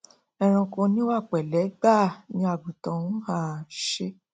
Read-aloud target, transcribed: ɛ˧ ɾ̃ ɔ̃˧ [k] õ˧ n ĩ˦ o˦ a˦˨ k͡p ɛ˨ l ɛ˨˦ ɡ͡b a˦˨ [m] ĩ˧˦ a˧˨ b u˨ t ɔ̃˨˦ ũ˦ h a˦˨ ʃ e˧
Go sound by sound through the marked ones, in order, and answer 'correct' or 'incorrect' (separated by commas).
correct, incorrect